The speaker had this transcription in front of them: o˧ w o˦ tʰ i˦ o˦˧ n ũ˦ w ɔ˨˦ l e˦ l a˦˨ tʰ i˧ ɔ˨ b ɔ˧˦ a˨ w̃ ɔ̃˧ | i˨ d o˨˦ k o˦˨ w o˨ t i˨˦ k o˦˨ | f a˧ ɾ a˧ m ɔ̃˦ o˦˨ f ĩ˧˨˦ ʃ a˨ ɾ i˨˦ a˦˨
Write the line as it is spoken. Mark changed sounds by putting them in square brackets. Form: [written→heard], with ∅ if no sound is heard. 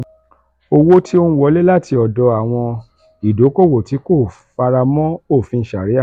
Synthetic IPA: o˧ w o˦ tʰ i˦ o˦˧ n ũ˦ w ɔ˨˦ l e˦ l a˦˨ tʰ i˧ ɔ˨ [b→d] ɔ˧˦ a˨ w̃ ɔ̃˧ | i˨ d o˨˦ k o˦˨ w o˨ t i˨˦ k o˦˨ | f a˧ ɾ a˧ m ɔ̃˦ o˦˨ f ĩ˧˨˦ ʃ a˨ ɾ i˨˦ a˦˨